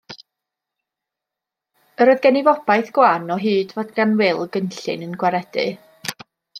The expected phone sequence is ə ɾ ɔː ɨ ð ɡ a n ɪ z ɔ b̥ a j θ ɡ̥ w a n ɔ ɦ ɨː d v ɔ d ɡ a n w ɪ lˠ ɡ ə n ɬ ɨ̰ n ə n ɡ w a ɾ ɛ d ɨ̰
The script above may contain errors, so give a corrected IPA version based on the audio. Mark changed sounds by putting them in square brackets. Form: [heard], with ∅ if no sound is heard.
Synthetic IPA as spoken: ə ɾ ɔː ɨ ð ɡ [ɛ] n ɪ [v] ɔ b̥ a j θ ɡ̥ w a n ɔ ɦ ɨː d v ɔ d ɡ a n w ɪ lˠ ɡ ə n ɬ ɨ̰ n ə n ɡ w a ɾ ɛ d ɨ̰